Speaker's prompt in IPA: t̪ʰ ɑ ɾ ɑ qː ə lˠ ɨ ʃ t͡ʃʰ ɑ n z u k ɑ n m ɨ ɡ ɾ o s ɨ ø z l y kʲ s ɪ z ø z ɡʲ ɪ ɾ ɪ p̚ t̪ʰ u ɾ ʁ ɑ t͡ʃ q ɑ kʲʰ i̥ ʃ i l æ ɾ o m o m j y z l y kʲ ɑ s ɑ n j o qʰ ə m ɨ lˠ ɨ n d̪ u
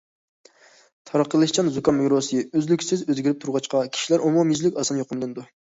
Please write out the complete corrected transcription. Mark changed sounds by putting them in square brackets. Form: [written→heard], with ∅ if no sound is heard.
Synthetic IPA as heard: t̪ʰ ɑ ɾ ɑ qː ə lˠ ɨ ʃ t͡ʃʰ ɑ n z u k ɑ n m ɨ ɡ ɾ o s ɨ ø z l y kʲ s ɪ z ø z ɡʲ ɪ ɾ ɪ p̚ t̪ʰ u ɾ ʁ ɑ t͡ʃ q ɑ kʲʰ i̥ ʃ i l æ ɾ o m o m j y z l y kʲ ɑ s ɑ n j o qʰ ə m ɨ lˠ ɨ n d̪ u